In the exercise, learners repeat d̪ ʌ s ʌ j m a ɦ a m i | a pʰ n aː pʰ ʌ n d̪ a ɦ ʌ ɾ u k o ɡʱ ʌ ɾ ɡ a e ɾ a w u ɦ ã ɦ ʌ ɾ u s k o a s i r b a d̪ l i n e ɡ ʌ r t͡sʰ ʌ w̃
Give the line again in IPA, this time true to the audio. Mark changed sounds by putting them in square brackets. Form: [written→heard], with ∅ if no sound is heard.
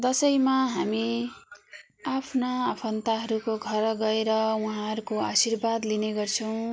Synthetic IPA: d̪ ʌ s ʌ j m a ɦ a m i | a pʰ n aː pʰ ʌ n [d̪→t̪] a ɦ ʌ ɾ u k o ɡʱ ʌ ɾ ɡ [a→ʌ] e ɾ [a→ʌ] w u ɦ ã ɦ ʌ ɾ u [s→∅] k o a s i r b a d̪ l i n e ɡ ʌ r t͡sʰ ʌ w̃